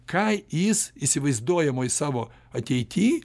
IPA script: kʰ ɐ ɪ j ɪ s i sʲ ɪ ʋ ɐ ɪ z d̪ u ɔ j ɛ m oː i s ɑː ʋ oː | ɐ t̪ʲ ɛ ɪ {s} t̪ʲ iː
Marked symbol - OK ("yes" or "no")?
no